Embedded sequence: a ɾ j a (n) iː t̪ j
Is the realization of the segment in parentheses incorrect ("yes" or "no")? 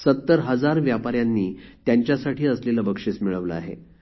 yes